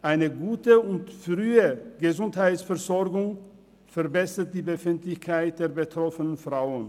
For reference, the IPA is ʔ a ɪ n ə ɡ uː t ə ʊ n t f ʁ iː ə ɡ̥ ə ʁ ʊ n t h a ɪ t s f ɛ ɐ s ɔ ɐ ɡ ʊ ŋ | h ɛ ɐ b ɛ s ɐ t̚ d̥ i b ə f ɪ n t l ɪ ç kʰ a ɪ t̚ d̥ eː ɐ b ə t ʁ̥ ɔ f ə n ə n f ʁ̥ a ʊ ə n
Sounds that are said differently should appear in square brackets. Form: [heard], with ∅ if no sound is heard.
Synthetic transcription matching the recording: ʔ a ɪ n ə ɡ uː t ə ʊ n t f ʁ [yː] ə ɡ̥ ə [z] ʊ n t h a ɪ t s f ɛ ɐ [z] ɔ ɐ ɡ ʊ ŋ | [f] ɛ ɐ b ɛ s ɐ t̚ d̥ [iː] b ə f ɪ n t l ɪ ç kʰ a ɪ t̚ d̥ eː ɐ b ə t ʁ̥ ɔ f ə n ə n f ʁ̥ a ʊ ə n